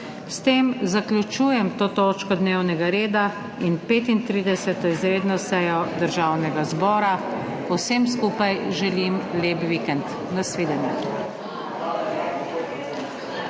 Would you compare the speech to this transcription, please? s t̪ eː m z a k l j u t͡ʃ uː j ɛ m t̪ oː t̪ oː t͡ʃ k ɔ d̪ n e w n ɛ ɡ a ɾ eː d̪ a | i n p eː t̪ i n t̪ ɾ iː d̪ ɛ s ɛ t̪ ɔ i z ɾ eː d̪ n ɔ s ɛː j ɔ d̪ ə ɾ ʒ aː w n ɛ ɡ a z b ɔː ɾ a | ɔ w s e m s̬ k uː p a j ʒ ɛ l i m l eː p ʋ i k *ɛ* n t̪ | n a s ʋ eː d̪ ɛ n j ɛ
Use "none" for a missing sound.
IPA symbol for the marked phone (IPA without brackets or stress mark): ɛ